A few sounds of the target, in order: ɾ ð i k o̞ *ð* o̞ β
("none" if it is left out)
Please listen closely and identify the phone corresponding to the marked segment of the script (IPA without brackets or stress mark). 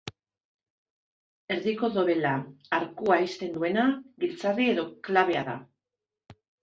ð